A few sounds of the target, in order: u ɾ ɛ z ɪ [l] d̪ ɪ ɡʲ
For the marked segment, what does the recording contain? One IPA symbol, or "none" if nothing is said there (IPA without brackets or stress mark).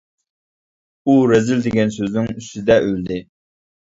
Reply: l